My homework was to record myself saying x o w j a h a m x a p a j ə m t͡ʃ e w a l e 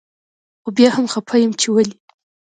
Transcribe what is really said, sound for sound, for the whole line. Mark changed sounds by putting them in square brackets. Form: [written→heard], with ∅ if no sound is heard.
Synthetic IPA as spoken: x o [w→b] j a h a m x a [p→pʰ] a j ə m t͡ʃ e w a l [e→i]